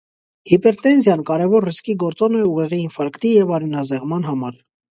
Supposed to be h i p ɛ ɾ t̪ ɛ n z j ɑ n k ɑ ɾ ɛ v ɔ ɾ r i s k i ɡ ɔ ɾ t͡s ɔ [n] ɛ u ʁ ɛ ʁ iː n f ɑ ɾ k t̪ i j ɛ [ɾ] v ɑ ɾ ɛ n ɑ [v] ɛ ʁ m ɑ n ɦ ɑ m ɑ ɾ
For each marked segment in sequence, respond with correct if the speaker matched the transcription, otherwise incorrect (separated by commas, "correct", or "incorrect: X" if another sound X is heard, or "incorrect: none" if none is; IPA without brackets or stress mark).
correct, incorrect: none, incorrect: z